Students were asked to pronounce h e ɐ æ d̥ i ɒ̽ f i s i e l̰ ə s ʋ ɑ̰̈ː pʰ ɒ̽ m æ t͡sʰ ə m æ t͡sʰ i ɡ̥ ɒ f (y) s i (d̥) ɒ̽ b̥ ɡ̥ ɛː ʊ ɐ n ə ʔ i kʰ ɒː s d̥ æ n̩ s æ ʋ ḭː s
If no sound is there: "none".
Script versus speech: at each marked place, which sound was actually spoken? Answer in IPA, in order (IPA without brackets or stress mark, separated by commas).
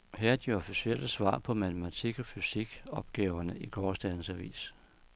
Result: y, ɡ̥